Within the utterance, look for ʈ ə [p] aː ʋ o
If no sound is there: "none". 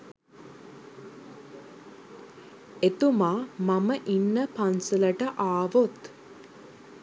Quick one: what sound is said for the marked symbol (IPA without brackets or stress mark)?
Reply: ʔ